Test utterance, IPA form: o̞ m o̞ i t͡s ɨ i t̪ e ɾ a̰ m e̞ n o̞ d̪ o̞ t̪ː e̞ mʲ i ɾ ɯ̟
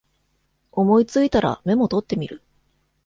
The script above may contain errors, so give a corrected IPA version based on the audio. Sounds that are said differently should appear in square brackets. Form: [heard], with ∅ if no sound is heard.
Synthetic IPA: o̞ m o̞ i t͡s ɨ i t̪ [a] ɾ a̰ m e̞ [m] o̞ [t̪] o̞ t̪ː e̞ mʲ i ɾ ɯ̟